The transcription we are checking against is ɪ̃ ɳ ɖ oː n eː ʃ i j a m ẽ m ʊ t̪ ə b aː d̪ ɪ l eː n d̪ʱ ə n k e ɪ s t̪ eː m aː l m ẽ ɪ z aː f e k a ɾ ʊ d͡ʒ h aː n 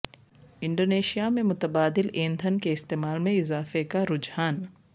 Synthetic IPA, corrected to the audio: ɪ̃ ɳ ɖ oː n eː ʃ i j a m ẽ m ʊ t̪ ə b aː d̪ ɪ l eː n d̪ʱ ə n k e ɪ s t̪ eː m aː l m ẽ ɪ z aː f e k a ɾ ʊ d͡ʒ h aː n